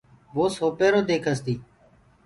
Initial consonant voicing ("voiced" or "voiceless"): voiced